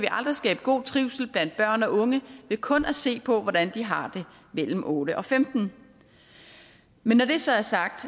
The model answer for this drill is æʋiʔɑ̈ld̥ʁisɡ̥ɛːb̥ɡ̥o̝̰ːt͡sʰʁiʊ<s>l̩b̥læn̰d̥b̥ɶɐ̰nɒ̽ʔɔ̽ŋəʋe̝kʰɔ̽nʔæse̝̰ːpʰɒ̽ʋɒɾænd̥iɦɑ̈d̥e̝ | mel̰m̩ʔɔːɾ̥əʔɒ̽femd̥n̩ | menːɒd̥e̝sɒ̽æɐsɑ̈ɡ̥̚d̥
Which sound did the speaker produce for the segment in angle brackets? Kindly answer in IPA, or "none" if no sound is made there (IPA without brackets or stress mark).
s